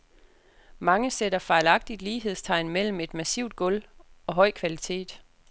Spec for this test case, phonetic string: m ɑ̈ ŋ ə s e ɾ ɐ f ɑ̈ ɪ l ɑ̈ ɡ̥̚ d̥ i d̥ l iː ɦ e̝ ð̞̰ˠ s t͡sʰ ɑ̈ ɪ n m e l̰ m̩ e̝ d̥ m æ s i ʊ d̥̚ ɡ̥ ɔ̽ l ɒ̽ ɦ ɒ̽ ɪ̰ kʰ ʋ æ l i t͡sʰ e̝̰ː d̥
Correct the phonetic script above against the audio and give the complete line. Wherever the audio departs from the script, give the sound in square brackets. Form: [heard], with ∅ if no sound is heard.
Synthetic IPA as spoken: m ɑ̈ ŋ ə s e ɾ ɐ f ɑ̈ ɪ l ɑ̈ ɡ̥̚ d̥ i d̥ l iː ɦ e̝ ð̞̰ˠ s t͡sʰ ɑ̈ ɪ n m e l̰ m̩ e̝ d̥ m æ s i ʊ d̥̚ ɡ̥ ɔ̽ l ɒ̽ ɦ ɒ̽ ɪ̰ kʰ ʋ æ l i t͡sʰ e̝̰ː d̥